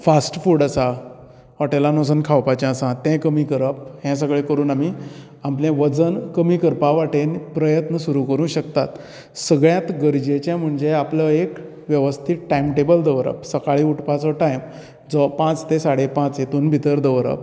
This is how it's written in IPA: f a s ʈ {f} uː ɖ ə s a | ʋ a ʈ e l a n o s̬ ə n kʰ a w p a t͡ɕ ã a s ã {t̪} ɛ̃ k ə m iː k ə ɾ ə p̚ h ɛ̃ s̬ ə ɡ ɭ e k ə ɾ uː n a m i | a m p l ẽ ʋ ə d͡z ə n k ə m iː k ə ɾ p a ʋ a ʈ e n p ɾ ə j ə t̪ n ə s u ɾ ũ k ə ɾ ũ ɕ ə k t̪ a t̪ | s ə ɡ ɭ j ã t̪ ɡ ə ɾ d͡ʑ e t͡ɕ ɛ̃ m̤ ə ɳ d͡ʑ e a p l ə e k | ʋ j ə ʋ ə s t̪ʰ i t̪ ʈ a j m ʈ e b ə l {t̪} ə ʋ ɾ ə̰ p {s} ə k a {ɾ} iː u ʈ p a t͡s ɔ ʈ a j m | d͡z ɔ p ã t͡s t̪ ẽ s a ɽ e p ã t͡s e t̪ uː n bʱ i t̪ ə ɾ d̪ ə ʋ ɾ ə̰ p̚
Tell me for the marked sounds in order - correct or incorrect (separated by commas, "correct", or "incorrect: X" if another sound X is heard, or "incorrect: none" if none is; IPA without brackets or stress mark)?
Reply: correct, correct, incorrect: d̪, correct, incorrect: ɭ